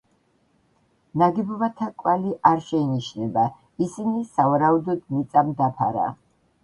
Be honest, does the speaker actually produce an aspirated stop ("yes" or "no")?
yes